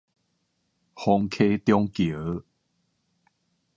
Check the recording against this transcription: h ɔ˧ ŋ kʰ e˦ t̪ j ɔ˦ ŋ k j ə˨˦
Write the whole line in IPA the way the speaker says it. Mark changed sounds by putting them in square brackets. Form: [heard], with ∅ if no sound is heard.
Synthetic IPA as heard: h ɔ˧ ŋ kʰ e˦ t̪ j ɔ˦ ŋ k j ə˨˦